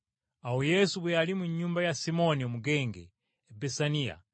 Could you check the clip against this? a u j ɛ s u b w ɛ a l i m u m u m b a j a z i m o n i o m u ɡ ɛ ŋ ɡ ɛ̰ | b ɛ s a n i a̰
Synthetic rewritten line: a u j ɛ s u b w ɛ a l i m u ɲ u m b a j a s i m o n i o m u ɡ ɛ ŋ ɡ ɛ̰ | b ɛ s a n i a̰